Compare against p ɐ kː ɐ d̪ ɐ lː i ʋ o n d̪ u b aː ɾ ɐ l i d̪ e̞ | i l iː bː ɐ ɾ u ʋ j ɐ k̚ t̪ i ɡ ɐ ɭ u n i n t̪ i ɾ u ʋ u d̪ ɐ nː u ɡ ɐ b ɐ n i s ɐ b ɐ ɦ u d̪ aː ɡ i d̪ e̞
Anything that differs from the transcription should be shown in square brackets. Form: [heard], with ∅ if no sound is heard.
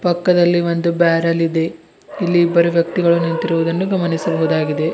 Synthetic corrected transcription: p ɐ kː ɐ d̪ ɐ lː i ʋ o n d̪ u b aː ɾ ɐ l i d̪ e̞ | i [lː] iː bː ɐ ɾ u ʋ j ɐ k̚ t̪ i ɡ ɐ ɭ u n i n t̪ i ɾ u ʋ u d̪ ɐ nː u ɡ ɐ [m] ɐ n i s ɐ b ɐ ɦ u d̪ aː ɡ i d̪ e̞